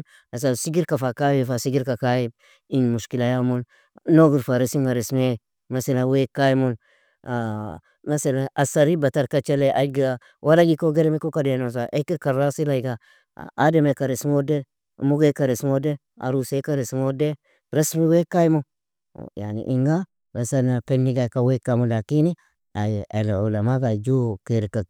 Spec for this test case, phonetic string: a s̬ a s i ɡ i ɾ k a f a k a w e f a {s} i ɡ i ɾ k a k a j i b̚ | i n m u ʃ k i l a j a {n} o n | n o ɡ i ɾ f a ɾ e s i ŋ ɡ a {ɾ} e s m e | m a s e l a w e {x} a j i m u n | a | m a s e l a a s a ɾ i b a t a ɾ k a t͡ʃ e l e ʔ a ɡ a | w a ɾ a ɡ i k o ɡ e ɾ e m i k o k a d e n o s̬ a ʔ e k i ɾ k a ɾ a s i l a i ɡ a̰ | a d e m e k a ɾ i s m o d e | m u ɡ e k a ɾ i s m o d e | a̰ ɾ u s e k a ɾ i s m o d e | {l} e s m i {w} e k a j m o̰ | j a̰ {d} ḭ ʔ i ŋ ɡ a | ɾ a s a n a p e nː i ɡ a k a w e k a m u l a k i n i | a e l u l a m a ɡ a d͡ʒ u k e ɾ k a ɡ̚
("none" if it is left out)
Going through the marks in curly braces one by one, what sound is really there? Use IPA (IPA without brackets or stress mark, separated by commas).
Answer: s, m, ɾ, k, ɾ, w, n